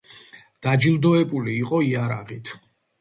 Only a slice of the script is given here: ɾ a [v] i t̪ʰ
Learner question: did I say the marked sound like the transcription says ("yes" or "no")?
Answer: no